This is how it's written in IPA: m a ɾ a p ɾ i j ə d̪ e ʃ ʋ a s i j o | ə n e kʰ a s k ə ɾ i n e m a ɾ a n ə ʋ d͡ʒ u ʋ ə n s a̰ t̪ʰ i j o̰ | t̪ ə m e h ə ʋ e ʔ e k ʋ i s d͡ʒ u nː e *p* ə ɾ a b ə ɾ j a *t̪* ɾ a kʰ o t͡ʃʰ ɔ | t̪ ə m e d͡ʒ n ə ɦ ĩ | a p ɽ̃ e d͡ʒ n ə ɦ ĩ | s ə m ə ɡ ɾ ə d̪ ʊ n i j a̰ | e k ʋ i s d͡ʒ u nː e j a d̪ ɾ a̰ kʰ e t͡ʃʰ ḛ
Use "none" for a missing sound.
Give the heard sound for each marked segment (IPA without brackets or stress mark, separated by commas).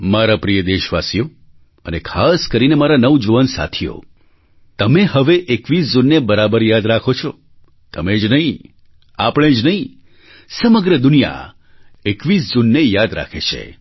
b, d̪